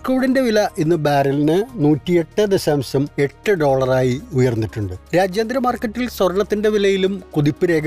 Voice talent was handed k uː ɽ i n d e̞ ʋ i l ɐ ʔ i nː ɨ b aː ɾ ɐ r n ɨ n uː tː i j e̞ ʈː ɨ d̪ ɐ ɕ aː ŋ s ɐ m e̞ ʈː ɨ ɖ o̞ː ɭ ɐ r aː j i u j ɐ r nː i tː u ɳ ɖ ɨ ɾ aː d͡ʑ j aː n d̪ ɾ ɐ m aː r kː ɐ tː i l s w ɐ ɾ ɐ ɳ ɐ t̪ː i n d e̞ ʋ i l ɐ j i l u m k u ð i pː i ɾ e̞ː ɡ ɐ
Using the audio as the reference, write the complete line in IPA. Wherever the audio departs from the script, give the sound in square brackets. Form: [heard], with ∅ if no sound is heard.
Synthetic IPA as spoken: k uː ɽ i n d e̞ ʋ i l ɐ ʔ i nː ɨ b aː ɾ ɐ [l] n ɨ n uː tː i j e̞ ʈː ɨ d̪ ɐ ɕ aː [m] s ɐ m e̞ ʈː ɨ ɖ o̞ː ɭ ɐ r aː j i u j ɐ r nː i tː u ɳ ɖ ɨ ɾ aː d͡ʑ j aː n d̪ ɾ ɐ m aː r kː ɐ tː i l s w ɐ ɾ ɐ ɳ ɐ t̪ː i n d e̞ ʋ i l ɐ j i l u m k u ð i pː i ɾ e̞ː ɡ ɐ